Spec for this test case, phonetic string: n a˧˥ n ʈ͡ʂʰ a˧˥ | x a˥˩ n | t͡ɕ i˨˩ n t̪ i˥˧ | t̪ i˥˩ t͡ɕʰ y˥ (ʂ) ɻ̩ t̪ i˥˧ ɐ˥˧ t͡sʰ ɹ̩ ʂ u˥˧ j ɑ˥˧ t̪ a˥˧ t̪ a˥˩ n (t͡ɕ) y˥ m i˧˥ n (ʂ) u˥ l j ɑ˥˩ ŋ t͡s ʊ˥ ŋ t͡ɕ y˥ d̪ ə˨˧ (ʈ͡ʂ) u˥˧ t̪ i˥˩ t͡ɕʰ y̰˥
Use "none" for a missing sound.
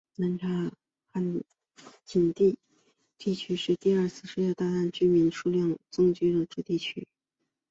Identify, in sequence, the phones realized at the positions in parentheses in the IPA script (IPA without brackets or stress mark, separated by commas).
ʂ, t͡ɕ, ʂ, ʈ͡ʂ